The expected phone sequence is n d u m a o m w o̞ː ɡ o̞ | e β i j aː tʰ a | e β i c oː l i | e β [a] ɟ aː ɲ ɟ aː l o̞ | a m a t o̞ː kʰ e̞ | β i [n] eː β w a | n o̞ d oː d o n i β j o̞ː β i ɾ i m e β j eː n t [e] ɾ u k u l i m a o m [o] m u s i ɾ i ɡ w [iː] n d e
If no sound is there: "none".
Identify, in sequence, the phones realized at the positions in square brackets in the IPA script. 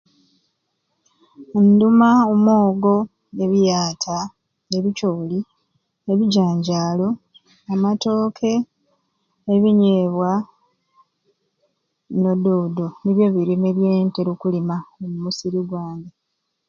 i, ɲ, e, u, aː

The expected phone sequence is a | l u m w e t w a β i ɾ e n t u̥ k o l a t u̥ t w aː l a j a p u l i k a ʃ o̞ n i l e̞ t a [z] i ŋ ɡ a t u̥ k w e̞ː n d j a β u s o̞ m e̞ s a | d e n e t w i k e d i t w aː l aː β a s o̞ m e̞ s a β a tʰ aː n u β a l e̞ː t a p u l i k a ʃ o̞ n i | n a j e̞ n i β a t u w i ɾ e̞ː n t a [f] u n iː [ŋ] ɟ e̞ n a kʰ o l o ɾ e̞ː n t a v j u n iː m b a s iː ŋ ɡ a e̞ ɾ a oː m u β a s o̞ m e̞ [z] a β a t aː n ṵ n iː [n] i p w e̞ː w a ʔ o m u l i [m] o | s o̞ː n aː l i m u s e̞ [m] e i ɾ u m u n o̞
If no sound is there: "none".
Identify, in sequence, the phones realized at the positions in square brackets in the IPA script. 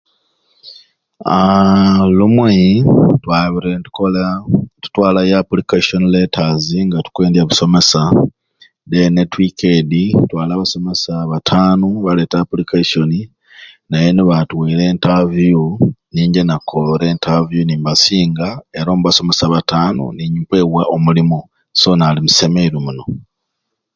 z, v, ɲ, s, ɲ, m, m

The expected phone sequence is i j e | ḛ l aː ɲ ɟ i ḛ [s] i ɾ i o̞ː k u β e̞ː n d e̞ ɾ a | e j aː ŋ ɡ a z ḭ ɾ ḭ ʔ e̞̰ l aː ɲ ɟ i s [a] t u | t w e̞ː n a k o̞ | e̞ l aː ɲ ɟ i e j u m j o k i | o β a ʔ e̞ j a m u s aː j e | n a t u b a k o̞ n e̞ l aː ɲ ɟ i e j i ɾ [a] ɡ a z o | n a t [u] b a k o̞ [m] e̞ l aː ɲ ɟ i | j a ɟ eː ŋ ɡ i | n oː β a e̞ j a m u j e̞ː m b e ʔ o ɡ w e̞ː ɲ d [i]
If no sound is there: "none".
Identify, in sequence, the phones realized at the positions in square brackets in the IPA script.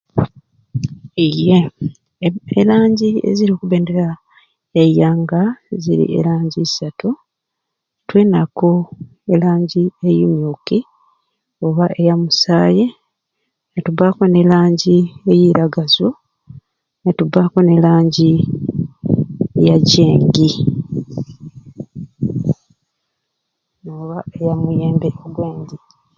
z, a, a, u, n, i

